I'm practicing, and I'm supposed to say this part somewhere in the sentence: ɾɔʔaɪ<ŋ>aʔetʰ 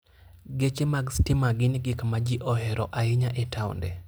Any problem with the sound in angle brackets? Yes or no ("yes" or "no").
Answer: yes